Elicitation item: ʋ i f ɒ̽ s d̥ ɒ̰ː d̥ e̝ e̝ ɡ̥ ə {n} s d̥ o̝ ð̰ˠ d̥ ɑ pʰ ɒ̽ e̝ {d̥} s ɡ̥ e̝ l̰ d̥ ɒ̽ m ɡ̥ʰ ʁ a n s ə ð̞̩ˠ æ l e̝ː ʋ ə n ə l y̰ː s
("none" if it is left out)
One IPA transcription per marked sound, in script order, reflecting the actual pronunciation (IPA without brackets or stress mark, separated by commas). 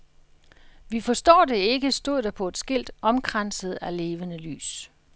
none, d̥